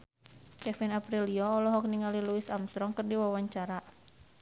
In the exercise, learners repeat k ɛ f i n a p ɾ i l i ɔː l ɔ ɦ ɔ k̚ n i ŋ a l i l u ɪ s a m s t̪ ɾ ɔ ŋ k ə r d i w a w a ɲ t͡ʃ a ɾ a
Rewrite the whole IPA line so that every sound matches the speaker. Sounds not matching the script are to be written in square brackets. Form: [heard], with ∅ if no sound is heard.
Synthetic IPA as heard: k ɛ f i n a p ɾ i l i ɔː l ɔ ɦ ɔ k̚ n i ŋ a l i l u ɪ s a m s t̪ ɾ ɔ ŋ k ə r d i w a w a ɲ t͡ʃ a ɾ a

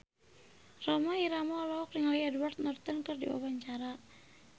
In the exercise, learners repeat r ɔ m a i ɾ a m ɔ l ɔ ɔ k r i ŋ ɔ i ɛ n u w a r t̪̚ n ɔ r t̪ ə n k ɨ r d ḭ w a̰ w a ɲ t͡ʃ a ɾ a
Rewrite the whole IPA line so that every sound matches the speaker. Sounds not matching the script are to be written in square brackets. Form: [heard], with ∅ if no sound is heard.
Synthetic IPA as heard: r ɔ m a i ɾ a m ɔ l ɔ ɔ k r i ŋ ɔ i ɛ [d] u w a r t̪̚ n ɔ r t̪ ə n k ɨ r d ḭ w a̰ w a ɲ t͡ʃ a ɾ a

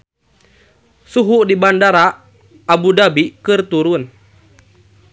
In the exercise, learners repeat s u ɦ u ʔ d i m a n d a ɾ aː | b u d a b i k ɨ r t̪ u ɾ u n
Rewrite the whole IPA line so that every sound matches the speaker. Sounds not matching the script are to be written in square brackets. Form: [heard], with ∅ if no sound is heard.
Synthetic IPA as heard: s u ɦ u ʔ d i [b] a n d a ɾ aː | b u d a b i k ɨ r t̪ u ɾ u n

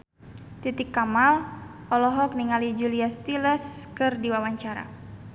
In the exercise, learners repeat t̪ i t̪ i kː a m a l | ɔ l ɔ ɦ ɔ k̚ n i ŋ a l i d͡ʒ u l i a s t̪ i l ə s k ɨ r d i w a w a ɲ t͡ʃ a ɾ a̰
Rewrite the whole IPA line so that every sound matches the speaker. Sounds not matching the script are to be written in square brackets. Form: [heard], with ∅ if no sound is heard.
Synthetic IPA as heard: t̪ i t̪ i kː a m a l | ɔ l ɔ ɦ ɔ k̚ n i ŋ a l i d͡ʒ u l i a s t̪ i l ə s k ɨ r d i w a w a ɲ t͡ʃ a ɾ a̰

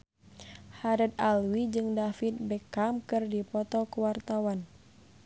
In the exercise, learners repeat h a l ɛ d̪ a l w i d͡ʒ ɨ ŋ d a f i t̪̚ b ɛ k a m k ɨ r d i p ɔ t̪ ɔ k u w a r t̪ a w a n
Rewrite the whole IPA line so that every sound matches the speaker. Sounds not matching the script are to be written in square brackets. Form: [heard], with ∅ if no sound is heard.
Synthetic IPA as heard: h a [ɾ] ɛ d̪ a l w i d͡ʒ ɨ ŋ d a f i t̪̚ b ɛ k a m k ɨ r d i p ɔ t̪ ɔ k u w a r t̪ a w a n

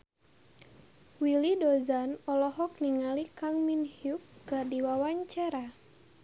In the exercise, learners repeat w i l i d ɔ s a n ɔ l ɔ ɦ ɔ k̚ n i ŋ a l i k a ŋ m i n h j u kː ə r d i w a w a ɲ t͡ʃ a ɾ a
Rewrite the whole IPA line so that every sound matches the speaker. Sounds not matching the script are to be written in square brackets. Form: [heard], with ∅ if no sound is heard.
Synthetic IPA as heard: w i l i d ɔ [z] a n ɔ l ɔ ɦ ɔ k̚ n i ŋ a l i k a ŋ m i n h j u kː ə r d i w a w a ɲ t͡ʃ a ɾ a

